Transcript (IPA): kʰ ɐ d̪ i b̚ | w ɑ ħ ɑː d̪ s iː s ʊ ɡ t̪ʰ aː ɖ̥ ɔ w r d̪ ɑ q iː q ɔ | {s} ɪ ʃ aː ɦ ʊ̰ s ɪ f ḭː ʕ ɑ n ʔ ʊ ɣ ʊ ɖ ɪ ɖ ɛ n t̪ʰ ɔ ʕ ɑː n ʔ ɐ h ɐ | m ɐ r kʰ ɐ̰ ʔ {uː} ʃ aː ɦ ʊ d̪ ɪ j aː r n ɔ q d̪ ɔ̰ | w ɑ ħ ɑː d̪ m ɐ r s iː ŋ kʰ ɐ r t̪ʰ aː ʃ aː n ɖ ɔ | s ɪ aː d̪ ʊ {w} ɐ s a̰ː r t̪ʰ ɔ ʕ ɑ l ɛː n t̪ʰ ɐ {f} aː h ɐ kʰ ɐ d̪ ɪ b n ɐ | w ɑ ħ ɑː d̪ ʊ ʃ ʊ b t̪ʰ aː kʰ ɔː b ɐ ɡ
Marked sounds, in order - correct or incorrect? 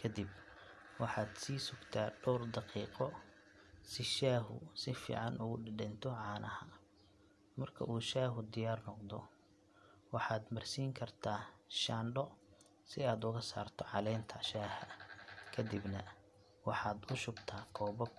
correct, correct, incorrect, incorrect

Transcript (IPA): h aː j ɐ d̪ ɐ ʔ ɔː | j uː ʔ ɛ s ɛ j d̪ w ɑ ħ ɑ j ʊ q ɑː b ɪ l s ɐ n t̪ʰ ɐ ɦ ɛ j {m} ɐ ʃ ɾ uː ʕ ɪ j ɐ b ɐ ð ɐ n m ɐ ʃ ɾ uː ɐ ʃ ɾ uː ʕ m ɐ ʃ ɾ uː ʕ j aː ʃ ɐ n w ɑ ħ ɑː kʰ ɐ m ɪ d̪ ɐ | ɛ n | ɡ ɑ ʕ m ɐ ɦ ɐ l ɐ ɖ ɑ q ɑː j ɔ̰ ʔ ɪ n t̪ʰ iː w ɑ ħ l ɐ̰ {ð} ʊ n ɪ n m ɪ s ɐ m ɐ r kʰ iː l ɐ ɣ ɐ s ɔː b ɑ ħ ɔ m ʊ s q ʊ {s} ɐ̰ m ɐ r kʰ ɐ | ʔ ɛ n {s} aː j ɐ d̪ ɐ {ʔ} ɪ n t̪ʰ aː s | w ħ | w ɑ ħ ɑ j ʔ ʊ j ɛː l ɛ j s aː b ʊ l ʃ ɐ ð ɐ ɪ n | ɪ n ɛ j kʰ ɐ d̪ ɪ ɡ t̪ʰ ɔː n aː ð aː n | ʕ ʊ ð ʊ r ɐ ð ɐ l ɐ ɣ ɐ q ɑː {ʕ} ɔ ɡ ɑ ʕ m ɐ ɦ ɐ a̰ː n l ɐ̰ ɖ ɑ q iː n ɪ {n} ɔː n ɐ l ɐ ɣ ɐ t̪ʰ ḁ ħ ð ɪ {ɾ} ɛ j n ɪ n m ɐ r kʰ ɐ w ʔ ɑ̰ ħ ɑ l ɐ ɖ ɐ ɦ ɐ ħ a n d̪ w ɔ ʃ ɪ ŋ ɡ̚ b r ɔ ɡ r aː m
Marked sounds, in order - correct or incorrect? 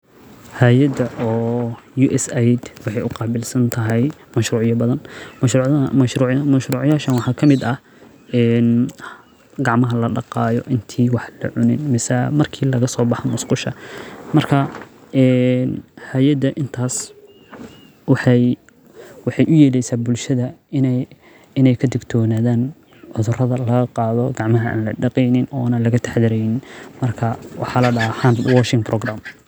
correct, incorrect, incorrect, incorrect, correct, incorrect, correct, correct

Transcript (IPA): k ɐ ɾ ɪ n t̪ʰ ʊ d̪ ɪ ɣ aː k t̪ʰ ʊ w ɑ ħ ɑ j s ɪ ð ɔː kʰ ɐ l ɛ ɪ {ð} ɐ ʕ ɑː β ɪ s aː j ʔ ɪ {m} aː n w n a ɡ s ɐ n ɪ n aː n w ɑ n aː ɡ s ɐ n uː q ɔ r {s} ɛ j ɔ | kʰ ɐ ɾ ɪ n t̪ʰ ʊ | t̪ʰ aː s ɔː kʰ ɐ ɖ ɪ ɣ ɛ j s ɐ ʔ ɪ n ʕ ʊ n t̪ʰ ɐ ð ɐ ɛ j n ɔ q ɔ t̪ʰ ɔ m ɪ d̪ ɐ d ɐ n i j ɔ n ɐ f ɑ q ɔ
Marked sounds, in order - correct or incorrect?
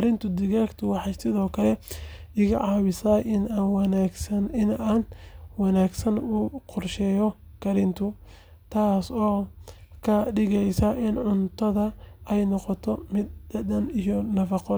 incorrect, incorrect, incorrect

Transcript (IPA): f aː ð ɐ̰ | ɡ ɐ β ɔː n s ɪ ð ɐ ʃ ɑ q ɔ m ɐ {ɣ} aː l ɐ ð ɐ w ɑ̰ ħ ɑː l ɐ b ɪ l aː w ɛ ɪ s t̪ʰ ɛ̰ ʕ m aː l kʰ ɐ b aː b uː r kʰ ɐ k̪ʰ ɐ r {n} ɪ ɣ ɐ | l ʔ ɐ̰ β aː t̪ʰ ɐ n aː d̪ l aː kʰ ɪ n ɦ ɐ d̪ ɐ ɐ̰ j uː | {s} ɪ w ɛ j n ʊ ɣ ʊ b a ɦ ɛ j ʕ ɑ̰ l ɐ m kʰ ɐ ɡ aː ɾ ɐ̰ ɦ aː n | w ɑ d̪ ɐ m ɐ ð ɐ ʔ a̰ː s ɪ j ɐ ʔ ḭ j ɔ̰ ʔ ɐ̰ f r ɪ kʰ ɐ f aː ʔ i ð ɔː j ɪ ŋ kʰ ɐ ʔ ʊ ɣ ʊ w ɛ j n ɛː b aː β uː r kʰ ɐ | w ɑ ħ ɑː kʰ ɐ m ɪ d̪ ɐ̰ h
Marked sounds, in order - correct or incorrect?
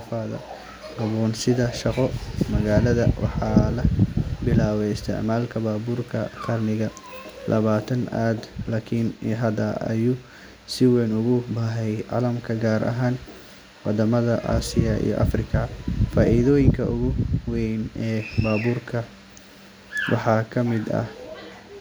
correct, correct, correct

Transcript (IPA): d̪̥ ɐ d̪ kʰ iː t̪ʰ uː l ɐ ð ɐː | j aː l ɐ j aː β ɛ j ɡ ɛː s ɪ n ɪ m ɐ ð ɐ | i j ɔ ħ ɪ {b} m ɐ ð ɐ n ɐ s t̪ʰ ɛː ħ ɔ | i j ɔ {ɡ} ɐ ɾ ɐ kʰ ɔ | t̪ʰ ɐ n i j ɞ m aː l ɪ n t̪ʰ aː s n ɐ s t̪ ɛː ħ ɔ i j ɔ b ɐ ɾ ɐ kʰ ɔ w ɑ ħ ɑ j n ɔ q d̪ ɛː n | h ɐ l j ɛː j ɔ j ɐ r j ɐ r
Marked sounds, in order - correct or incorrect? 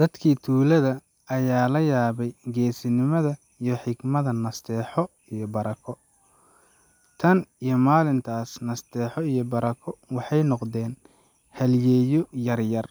incorrect, incorrect

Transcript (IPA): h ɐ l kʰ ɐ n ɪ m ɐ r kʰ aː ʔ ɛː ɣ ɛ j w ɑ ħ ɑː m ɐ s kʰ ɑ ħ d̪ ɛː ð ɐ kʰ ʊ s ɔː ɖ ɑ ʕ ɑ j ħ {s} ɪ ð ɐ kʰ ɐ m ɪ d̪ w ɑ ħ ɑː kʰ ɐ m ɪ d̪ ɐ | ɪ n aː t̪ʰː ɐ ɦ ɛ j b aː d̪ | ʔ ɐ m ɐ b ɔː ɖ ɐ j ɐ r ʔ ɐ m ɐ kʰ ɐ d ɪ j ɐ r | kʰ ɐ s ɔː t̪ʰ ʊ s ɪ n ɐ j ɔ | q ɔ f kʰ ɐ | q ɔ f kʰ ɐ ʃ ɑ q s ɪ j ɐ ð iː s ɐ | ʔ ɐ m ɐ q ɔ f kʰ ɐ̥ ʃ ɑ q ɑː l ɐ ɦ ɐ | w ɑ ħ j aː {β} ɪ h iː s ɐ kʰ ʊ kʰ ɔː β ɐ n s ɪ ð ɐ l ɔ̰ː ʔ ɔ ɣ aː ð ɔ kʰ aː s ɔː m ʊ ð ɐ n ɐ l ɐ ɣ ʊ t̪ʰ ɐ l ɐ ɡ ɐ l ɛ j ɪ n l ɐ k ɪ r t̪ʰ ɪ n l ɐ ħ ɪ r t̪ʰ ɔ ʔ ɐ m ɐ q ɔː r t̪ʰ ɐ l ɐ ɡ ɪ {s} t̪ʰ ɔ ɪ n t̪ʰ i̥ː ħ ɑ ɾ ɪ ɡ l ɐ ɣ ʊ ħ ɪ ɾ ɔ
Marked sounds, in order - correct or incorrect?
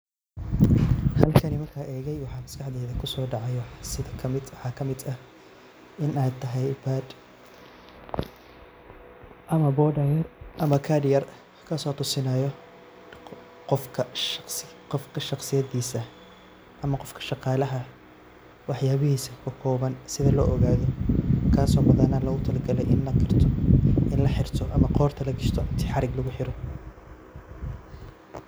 correct, correct, incorrect

